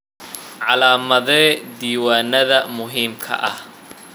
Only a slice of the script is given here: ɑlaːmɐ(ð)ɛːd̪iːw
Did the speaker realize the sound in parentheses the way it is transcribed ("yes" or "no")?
yes